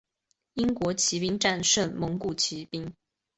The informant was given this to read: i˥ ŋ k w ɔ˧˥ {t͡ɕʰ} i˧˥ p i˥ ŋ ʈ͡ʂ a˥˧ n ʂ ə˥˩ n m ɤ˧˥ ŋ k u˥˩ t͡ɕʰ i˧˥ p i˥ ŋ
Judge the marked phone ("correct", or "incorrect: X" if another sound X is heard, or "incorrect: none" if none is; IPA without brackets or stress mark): correct